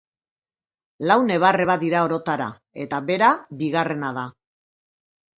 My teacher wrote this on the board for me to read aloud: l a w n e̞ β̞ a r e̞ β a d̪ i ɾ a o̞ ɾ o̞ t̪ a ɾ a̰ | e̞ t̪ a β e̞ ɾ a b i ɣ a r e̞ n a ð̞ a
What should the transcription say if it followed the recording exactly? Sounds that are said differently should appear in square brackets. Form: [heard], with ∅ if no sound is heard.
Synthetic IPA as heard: l a w n e̞ β̞ a r e̞ β a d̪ i ɾ a o̞ ɾ o̞ t̪ a ɾ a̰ | e̞ t̪ a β e̞ ɾ a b i ɣ a r e̞ n a ð̞ a